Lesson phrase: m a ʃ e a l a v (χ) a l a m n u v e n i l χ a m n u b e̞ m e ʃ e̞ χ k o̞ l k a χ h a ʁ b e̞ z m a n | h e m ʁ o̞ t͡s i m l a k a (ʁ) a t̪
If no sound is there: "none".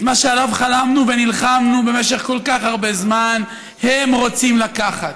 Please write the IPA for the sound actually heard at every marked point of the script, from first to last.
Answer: χ, χ

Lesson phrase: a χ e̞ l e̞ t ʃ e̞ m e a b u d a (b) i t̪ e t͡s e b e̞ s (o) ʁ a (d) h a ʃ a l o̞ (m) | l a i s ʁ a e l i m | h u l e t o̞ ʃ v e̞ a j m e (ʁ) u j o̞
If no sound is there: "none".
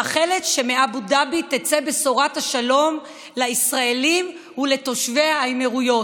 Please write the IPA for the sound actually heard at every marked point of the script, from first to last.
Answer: b, o, t, m, ʁ

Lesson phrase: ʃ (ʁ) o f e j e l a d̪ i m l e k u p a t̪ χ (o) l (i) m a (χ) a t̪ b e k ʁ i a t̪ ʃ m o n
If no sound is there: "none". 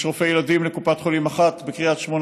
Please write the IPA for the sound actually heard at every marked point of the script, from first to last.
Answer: ʁ, o, i, χ

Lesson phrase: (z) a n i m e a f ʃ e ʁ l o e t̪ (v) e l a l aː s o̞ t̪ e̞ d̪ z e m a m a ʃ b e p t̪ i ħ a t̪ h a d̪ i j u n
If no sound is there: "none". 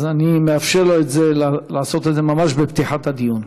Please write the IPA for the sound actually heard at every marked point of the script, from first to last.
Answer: z, z

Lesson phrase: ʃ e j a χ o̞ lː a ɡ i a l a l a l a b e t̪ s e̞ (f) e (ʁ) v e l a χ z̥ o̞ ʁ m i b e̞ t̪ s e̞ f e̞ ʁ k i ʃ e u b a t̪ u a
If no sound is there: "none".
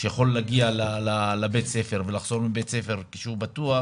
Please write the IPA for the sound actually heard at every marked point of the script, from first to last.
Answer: f, ʁ

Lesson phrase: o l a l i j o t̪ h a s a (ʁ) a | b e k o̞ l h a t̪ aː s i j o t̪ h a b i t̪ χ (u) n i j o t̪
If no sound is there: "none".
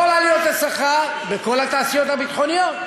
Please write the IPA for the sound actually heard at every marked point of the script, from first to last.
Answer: χ, o

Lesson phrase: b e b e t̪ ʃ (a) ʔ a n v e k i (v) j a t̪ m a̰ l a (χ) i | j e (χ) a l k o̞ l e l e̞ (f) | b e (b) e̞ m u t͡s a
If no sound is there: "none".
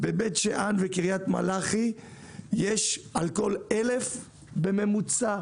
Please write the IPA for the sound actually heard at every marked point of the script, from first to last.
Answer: e, ʁ, χ, ʃ, f, m

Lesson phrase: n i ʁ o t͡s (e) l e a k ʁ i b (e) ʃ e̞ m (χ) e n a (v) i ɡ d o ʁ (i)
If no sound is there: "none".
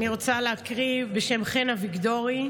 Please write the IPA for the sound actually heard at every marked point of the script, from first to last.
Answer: a, e, χ, v, i

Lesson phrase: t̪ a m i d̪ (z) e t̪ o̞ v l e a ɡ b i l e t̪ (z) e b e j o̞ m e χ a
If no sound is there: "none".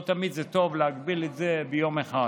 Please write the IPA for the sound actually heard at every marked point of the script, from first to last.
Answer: z, z

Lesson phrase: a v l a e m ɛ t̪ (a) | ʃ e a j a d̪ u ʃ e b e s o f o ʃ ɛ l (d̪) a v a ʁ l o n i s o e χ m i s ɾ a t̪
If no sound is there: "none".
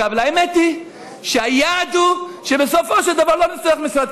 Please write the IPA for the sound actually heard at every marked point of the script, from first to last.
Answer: i, d̪

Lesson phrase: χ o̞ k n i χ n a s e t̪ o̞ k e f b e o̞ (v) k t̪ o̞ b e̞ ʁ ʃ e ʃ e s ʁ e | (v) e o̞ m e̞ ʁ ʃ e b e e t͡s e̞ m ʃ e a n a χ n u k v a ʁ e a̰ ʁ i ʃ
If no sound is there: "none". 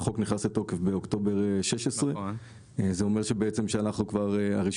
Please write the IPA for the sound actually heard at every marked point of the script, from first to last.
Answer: none, z

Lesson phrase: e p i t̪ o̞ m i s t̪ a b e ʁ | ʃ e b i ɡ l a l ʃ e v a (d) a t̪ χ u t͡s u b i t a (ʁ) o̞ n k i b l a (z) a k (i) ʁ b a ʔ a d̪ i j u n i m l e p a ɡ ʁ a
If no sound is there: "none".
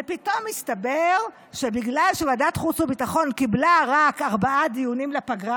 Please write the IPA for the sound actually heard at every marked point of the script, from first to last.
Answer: d, χ, ʁ, a

